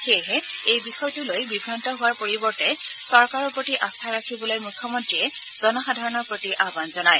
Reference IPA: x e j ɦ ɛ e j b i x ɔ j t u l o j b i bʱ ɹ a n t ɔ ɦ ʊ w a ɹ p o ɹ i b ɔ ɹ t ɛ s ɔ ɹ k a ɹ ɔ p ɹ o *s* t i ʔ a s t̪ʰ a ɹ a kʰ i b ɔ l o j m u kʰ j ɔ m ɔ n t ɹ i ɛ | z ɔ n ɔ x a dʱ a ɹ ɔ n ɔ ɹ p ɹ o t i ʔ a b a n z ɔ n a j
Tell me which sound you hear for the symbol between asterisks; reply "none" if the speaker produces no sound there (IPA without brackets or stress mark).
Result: none